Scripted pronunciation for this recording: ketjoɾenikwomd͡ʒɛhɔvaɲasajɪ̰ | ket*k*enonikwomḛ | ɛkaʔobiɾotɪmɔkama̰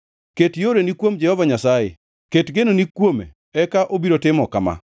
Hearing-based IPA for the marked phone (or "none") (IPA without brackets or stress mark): ɡ